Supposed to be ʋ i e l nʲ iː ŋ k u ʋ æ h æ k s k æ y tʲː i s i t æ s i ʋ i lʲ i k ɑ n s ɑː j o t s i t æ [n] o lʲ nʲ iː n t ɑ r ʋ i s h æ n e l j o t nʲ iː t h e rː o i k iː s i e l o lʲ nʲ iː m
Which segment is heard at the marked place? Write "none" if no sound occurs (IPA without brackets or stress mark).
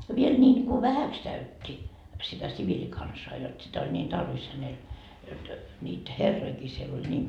none